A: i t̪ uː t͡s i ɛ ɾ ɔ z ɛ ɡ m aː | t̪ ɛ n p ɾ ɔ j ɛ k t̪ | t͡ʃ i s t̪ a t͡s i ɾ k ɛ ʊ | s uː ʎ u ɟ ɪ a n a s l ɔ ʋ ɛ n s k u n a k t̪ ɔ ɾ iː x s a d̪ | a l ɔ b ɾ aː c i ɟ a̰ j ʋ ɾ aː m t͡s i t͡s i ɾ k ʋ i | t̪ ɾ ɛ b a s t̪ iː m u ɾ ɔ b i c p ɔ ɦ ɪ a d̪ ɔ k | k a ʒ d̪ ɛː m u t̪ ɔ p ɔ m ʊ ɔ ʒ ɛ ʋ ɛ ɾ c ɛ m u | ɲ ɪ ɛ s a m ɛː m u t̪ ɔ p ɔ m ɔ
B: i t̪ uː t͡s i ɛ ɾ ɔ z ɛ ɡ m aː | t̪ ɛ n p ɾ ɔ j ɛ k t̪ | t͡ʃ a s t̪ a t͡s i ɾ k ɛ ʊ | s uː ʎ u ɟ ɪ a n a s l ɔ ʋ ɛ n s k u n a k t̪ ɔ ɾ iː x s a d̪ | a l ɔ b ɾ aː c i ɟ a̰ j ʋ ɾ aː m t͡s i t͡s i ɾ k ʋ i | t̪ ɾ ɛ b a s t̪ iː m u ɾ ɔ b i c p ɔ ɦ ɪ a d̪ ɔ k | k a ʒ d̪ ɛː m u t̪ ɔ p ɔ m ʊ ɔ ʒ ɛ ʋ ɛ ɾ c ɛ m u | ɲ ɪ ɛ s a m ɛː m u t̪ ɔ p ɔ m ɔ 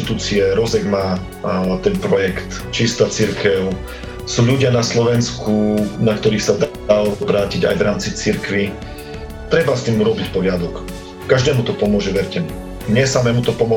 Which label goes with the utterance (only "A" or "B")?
A